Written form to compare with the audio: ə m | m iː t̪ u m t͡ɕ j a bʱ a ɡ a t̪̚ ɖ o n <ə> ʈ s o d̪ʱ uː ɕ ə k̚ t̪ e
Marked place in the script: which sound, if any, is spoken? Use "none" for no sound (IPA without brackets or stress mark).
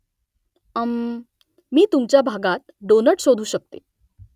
ə